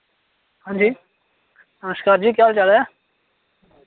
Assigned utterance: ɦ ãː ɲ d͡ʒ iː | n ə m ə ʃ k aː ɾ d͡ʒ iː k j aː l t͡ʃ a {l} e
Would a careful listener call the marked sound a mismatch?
no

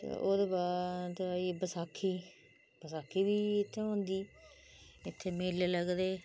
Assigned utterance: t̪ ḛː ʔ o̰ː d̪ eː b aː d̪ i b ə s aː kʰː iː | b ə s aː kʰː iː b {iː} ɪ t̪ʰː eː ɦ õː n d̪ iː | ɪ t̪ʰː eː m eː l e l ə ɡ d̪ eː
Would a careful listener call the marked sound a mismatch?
no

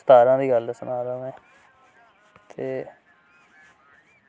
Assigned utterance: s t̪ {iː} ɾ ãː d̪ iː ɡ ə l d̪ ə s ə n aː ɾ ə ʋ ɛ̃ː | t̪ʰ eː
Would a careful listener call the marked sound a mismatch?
yes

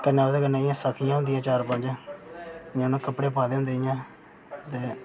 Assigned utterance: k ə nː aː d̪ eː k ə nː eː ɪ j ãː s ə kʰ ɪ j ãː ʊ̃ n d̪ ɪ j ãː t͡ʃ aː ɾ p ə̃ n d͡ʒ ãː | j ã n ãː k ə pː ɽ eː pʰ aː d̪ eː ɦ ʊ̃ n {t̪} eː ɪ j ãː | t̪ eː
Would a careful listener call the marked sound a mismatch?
yes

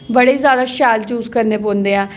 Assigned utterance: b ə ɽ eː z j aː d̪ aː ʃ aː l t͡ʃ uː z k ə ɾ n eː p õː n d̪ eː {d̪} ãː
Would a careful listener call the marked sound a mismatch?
yes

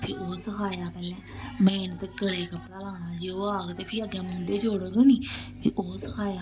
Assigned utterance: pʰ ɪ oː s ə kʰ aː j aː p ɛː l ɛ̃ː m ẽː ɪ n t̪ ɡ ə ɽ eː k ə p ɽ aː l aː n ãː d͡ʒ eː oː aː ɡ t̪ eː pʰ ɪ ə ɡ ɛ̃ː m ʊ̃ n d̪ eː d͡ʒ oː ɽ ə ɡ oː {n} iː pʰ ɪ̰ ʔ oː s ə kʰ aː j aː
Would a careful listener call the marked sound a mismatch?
no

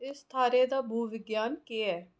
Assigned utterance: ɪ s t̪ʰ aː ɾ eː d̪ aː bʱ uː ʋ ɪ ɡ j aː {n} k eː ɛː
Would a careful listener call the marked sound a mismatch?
no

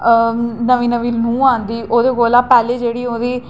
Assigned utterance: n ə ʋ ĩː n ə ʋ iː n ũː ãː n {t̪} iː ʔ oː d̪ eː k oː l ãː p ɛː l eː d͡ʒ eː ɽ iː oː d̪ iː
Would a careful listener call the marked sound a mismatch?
yes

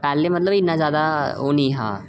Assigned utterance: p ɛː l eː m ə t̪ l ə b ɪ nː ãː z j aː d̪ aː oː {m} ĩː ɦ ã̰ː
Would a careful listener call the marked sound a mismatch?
yes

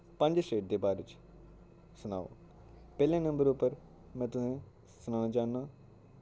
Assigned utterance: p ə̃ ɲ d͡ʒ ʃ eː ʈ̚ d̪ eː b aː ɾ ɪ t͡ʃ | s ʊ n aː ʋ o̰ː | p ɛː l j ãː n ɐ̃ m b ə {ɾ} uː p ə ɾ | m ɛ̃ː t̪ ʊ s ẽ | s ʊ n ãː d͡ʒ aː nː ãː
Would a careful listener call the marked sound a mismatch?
no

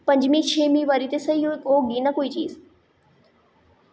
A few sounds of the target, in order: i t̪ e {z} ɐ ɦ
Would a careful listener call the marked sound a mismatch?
yes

